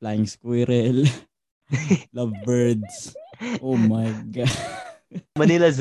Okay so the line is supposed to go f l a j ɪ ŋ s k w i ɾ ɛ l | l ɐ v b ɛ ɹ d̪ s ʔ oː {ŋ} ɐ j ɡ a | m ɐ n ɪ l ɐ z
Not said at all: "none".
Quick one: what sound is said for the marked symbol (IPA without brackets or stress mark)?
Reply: m